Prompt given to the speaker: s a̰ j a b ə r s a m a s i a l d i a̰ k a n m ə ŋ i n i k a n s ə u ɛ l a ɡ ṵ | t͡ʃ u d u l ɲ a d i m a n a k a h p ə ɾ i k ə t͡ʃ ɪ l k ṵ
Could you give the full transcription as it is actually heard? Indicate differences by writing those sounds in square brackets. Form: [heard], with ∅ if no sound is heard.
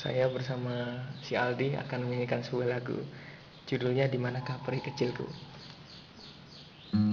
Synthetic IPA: s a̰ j a b ə r s a m a s i a l d i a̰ k a n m ə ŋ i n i k a n s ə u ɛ l a ɡ ṵ | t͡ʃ u d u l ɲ a d i m a n a k a h p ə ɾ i k ə t͡ʃ ɪ l k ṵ